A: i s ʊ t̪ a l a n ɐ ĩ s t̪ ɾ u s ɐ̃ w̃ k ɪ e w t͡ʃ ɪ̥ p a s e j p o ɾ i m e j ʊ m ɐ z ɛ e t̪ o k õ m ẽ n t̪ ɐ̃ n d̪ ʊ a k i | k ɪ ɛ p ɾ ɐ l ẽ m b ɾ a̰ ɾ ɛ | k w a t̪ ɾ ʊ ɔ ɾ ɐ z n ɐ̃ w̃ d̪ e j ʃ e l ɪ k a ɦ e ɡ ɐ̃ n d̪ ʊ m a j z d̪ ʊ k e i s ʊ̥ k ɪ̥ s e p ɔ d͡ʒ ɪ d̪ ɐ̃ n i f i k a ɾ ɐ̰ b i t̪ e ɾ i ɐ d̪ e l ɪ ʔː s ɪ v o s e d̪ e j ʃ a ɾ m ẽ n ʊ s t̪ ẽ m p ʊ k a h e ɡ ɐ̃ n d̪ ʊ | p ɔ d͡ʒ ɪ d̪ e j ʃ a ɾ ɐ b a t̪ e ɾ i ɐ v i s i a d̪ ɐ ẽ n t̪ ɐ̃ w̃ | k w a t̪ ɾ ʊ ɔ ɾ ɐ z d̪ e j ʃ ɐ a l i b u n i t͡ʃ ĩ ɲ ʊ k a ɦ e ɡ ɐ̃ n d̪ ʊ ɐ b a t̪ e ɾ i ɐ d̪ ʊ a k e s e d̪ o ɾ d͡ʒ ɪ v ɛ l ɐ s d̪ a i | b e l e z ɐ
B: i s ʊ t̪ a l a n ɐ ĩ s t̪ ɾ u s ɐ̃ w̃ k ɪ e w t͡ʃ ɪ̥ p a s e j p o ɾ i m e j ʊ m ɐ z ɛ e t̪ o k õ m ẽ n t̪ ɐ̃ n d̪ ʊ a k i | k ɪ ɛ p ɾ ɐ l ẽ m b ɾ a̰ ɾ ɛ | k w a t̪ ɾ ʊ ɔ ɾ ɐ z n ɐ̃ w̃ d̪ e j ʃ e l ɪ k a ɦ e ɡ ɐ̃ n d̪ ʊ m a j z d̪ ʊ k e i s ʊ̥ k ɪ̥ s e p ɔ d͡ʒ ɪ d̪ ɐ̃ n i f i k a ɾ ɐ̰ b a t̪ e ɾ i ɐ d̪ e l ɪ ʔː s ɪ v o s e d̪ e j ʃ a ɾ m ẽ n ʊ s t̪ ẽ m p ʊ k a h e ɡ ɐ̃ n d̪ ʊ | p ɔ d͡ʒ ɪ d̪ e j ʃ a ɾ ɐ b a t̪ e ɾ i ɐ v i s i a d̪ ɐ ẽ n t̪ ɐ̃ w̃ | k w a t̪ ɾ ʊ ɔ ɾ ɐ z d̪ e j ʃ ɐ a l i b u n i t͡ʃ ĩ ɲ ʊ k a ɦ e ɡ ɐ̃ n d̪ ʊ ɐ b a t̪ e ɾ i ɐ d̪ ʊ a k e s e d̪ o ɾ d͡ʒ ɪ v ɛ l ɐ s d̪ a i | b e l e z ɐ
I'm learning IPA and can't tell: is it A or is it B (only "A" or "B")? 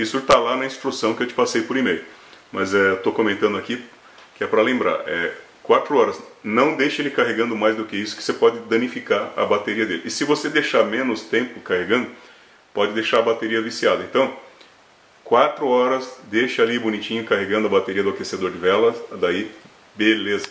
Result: B